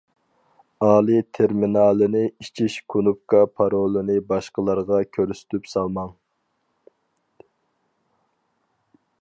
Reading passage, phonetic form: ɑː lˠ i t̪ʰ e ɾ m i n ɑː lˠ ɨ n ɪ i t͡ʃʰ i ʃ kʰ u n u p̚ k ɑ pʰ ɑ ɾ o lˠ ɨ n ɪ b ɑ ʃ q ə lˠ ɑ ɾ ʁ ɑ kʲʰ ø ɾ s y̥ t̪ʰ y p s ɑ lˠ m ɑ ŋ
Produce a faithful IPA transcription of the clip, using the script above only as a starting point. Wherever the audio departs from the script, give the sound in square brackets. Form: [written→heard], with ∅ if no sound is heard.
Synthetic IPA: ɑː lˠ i t̪ʰ e ɾ m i n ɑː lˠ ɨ n ɪ i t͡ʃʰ i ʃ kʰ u n u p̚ k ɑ pʰ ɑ ɾ o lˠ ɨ n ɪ b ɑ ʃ q ə lˠ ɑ ɾ ʁ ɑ kʲʰ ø ɾ s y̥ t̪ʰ y p s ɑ lˠ m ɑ ŋ